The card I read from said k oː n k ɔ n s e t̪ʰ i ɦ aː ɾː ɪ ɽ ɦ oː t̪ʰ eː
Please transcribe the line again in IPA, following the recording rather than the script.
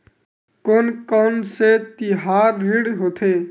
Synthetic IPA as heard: k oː n k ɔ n s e t̪ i ɦ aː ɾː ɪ ɽ ɦ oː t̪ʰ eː